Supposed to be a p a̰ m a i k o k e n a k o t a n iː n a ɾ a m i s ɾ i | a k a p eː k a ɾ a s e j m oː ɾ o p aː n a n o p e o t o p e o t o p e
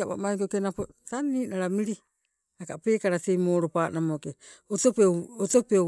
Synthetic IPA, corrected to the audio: a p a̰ m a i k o k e n a p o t a n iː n a ɾ a m i ɾ i | a k a p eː k a ɾ a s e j m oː ɾ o p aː n a m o k e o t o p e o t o p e